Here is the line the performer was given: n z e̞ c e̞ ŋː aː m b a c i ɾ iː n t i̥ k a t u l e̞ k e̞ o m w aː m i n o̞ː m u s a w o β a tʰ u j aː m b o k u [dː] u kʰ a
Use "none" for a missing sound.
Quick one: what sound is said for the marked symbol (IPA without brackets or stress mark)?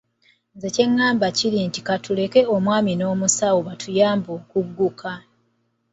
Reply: ɡː